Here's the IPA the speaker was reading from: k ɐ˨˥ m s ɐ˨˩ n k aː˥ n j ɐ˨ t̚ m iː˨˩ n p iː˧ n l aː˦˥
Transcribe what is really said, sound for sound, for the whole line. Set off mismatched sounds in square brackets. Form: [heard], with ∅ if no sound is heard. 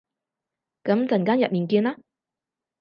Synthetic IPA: k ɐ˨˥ m [t͡s] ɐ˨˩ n k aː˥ n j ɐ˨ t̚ m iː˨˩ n [k] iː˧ n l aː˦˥